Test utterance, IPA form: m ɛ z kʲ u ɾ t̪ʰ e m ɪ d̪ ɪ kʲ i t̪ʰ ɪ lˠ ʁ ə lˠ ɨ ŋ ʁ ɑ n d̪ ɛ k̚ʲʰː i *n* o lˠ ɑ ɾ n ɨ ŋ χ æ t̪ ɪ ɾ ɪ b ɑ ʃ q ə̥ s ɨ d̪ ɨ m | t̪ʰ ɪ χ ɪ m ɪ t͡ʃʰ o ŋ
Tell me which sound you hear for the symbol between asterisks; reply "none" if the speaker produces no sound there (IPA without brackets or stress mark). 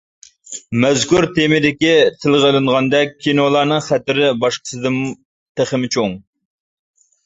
n